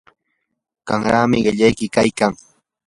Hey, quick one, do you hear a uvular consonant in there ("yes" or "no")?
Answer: yes